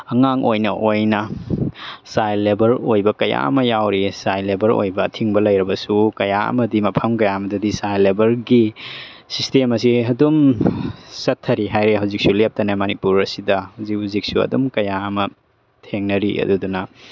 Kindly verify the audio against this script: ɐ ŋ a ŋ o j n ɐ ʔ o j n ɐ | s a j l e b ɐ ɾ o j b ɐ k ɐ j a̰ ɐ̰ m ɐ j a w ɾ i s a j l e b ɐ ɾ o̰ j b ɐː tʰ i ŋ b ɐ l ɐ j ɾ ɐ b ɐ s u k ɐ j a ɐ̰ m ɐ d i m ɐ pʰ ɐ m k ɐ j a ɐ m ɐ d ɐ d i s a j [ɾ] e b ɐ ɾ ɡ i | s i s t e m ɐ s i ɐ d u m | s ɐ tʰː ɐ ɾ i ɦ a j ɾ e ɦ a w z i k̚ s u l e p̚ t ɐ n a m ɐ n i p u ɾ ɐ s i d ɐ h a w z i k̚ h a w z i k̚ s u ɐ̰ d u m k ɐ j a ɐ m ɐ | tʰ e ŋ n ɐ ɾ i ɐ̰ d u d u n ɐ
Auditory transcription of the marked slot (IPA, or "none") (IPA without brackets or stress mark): l